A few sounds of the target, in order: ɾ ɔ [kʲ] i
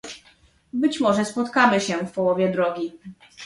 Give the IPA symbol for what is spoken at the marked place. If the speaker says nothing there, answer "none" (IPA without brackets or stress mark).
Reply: ɡʲ